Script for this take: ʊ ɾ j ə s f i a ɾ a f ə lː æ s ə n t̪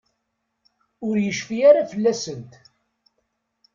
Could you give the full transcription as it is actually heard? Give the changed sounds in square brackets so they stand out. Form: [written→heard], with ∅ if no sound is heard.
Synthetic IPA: ʊ ɾ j ə [s→ʃ] f i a ɾ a f ə lː æ s ə n t̪